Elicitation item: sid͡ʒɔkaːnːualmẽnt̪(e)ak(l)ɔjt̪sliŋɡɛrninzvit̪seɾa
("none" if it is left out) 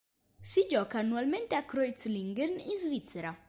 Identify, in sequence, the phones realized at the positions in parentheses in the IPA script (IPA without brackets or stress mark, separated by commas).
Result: e, ɾ